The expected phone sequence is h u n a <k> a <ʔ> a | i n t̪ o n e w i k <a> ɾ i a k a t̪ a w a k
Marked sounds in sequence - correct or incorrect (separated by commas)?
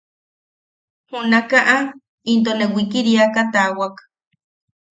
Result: correct, correct, incorrect